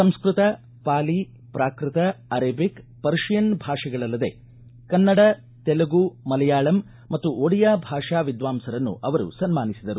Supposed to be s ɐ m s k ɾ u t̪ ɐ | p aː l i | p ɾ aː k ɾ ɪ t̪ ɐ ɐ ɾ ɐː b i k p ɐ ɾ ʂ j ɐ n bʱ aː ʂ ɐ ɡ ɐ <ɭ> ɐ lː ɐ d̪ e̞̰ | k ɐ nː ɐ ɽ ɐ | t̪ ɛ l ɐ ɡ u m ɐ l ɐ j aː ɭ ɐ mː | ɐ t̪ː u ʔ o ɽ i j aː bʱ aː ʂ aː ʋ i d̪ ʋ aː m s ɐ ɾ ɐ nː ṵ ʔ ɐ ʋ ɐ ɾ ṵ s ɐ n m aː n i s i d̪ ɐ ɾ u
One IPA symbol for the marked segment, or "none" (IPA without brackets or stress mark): ɭ